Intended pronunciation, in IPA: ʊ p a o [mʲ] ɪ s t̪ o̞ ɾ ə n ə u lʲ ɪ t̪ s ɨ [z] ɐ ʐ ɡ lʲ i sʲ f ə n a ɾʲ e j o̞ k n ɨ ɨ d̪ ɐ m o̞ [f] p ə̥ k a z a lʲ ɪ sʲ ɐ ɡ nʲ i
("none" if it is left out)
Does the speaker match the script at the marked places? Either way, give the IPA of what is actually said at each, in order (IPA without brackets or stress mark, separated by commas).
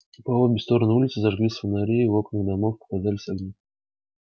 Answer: bʲ, z, f